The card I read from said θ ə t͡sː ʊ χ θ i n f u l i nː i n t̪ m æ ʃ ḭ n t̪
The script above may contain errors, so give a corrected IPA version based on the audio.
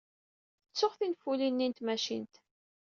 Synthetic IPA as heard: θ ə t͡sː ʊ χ θ i n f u l i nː i n t̪ m æ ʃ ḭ n t̪